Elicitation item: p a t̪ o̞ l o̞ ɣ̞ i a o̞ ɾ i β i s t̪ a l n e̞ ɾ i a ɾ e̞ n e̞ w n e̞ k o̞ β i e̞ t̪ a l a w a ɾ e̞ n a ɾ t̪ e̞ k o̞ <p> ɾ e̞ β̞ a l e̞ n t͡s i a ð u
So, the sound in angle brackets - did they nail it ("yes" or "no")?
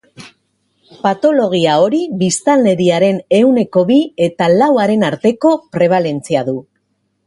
yes